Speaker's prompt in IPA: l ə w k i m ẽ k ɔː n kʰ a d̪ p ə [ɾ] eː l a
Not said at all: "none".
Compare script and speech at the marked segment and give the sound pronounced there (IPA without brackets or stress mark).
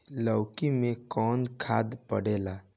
ɽ